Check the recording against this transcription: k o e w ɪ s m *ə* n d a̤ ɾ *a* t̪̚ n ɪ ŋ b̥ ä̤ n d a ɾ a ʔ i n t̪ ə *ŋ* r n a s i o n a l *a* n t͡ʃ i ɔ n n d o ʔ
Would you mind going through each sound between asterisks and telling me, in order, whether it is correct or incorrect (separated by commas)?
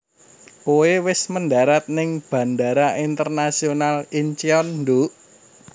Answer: correct, correct, incorrect, incorrect